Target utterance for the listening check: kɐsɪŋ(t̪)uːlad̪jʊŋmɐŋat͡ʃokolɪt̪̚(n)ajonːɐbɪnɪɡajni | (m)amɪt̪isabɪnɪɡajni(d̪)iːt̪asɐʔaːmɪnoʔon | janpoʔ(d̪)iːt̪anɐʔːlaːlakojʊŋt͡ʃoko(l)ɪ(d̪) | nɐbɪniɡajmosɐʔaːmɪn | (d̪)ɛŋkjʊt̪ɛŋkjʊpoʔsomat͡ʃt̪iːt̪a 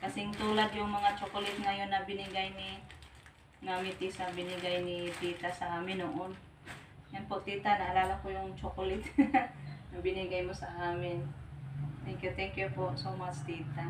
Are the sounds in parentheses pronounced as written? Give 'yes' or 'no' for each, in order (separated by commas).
yes, no, no, no, no, yes, no, no